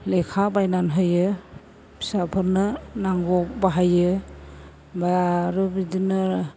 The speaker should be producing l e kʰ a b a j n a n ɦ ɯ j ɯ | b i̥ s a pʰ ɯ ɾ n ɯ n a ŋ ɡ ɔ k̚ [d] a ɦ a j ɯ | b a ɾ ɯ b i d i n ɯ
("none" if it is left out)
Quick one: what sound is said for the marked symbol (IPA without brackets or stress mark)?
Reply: b